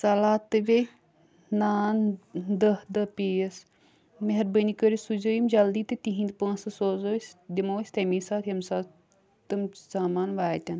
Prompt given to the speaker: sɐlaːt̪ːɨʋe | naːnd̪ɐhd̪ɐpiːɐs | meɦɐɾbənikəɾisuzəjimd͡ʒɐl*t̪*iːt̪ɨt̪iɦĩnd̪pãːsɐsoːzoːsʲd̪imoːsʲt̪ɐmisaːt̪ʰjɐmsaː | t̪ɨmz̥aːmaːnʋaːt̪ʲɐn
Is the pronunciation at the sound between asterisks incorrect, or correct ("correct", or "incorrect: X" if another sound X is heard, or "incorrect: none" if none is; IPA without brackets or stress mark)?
incorrect: d̪